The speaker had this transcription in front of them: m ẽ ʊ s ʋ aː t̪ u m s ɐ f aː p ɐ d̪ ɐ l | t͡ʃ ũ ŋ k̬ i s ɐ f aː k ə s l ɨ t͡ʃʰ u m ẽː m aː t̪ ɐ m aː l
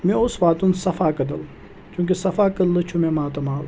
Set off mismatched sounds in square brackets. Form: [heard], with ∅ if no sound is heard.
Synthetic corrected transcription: m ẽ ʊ s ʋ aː t̪ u [n] s ɐ f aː [k] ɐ d̪ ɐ l | t͡ʃ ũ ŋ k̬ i s ɐ f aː k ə [∅] l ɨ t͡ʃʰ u m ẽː m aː t̪ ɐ m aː l